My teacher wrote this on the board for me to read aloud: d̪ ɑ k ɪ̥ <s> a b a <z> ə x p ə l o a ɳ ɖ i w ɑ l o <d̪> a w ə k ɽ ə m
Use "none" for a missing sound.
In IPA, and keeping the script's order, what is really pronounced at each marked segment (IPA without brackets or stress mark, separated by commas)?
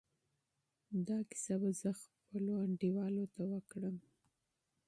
s, z, t̪